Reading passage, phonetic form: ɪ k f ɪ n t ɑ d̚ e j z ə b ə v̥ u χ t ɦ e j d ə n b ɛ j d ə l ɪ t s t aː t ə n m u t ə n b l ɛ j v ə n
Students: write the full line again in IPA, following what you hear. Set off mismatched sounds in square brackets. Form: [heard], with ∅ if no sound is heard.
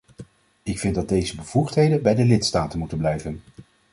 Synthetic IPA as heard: ɪ k f ɪ n [d] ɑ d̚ e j z ə b ə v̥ u χ t ɦ e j d ə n b ɛ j d ə l ɪ t s t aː t ə n m u t ə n b l ɛ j v ə n

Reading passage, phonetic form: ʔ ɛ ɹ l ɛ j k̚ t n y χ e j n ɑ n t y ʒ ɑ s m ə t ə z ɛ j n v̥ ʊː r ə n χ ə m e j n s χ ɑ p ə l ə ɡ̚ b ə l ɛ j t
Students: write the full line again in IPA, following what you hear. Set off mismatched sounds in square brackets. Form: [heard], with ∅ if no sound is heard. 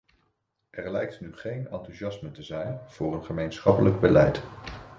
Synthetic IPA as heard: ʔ ɛ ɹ l ɛ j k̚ t n y χ e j n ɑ n t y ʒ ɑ s m ə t ə z ɛ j n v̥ ʊː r ə n χ ə m e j n s χ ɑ p ə l ə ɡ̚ b ə l ɛ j t

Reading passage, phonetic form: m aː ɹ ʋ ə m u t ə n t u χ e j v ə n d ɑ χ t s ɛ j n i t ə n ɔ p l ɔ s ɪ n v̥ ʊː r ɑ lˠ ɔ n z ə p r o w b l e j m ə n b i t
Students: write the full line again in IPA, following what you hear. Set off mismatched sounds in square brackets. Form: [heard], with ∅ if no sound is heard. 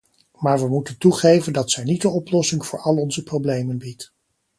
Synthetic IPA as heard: m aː ɹ ʋ ə m u t ə n t u χ e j v ə n d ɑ [∅] t s ɛ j n i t ə n ɔ p l ɔ s ɪ [ŋ] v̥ ʊː [ɹ] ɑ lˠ ɔ n z ə p r o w b l e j m ə n b i t

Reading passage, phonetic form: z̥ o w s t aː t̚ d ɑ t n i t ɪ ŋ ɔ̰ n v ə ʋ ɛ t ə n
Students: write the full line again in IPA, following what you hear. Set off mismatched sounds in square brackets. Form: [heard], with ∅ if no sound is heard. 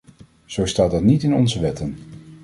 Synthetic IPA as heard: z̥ o w s t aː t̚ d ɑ t n i t ɪ [n] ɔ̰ n [z] ə ʋ ɛ t ə n

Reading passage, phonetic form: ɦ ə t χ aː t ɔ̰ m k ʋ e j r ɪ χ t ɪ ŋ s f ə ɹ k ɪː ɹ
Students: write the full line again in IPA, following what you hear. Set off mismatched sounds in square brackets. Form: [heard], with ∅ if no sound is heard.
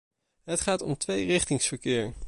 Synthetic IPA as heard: ɦ ə t χ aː t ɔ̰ m [t] ʋ e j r ɪ χ t ɪ ŋ s f ə ɹ k ɪː ɹ

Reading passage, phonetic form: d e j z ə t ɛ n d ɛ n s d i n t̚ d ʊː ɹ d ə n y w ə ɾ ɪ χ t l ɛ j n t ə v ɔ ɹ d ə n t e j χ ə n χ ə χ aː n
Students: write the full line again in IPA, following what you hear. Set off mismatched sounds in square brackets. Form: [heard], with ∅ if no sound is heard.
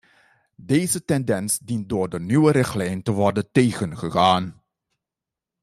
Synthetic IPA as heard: d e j z ə t ɛ n d ɛ n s d i n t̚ d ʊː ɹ d ə n y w ə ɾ ɪ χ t l ɛ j n t ə [ʋ] ɔ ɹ d ə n t e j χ ə n χ ə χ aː n

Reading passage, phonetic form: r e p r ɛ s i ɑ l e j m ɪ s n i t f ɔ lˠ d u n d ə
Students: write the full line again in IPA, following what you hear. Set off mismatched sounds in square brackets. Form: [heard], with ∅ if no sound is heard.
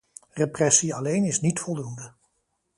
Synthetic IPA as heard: r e p r ɛ s i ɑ l e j [n] ɪ s n i t f ɔ lˠ d u n d ə

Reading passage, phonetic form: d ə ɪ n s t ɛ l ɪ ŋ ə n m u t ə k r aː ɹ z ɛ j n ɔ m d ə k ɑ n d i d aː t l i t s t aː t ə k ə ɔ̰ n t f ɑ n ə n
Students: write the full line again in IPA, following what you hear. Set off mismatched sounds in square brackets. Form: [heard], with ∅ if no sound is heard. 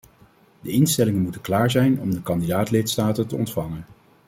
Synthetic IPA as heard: d ə ɪ n s t ɛ l ɪ ŋ ə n m u t ə k [l] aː ɹ z ɛ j n ɔ m d ə k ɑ n d i d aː t l [ɪ] t s t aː t ə [t] ə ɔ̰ n t f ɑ [ŋ] ə n

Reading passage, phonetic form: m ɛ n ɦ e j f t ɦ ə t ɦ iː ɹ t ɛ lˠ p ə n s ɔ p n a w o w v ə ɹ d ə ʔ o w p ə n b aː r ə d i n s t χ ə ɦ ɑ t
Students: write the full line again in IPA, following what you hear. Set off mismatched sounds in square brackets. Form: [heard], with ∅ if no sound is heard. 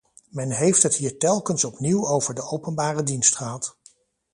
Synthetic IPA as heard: m ɛ n ɦ e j f t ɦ ə t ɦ iː ɹ t ɛ lˠ [k] ə n s ɔ p n [i] w o w v ə ɹ d ə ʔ o w p ə n b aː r ə d i n s t χ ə ɦ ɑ t

